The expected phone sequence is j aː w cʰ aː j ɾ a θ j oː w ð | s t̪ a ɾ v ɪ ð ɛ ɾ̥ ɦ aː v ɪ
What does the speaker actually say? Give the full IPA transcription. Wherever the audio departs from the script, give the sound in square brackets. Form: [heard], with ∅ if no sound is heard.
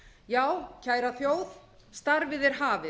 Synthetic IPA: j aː w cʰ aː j ɾ a θ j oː w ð | s t̪ a ɾ v ɪ ð ɛ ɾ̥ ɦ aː v ɪ